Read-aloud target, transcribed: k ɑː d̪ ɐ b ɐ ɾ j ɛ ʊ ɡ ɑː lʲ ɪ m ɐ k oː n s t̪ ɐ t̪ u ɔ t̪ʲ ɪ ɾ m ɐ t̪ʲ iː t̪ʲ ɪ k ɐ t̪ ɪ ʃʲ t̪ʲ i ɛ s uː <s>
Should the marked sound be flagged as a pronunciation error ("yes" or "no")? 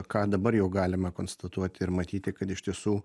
yes